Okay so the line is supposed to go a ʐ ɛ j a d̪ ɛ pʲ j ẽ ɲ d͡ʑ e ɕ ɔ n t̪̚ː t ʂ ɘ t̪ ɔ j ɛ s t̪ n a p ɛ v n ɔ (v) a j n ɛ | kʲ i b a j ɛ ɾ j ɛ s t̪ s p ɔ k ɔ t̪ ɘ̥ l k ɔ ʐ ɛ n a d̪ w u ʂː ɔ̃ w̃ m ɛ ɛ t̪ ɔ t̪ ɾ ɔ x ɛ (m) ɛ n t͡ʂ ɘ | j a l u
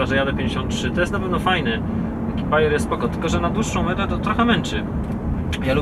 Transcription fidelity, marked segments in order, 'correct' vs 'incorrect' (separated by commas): incorrect, correct